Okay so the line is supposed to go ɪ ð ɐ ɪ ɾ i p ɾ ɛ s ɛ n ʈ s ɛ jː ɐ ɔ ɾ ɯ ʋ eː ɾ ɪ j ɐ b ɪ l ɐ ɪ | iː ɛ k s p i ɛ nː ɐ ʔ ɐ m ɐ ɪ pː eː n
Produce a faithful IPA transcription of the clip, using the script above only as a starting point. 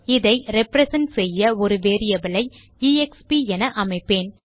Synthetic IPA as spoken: ɪ ð ɐ ɪ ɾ ɛ p ɾ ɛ s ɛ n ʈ s ɛ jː ɐ ɔ ɾ ɯ ʋ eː ɾ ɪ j ɐ b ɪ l ɐ ɪ | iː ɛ k s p i ɛ n ɐ ʔ ɐ m ɐ ɪ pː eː n